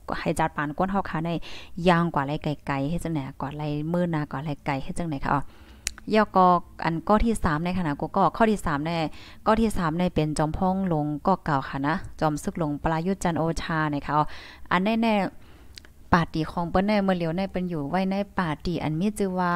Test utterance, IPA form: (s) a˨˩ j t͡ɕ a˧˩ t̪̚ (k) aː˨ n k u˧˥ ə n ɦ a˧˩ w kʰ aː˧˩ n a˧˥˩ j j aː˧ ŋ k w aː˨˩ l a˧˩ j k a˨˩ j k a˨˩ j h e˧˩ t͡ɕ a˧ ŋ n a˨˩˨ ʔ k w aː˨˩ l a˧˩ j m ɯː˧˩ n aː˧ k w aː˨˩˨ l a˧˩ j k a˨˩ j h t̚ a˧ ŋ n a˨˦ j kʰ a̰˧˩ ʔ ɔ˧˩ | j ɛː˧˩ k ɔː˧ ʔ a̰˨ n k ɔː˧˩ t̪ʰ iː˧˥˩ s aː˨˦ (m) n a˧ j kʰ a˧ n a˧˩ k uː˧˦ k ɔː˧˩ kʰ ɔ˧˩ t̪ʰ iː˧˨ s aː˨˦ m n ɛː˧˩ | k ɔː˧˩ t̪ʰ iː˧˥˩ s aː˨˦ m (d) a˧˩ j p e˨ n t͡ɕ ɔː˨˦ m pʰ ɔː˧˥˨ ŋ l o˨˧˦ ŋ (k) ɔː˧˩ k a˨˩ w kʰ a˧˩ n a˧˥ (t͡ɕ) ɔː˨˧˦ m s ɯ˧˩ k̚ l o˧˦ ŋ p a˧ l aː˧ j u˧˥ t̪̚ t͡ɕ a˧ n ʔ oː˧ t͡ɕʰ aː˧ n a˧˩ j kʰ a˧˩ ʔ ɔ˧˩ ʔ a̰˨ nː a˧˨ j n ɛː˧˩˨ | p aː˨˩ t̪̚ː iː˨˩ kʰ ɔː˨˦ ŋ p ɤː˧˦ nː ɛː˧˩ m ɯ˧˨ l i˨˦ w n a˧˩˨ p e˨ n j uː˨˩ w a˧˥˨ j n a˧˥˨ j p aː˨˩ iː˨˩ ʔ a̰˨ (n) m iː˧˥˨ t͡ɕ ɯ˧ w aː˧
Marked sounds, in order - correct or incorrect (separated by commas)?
incorrect, incorrect, correct, incorrect, correct, correct, correct